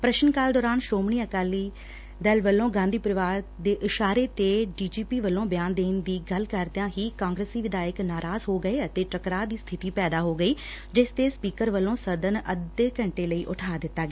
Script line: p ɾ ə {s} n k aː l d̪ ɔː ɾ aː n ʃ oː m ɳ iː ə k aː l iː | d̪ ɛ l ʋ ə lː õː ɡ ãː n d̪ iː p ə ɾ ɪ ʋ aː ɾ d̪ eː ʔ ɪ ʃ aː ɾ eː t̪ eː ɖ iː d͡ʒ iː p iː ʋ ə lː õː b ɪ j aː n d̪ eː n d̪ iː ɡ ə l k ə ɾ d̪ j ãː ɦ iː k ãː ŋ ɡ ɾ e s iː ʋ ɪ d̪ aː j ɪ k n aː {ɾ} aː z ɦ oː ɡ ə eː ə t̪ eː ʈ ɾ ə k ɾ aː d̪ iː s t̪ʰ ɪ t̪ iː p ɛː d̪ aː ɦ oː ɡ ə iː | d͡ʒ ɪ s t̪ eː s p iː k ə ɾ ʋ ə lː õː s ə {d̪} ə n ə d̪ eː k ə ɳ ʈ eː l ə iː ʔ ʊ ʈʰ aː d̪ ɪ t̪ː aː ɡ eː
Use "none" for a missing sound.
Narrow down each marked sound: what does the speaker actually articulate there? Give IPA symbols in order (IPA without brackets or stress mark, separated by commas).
ʃ, ɾ, d̪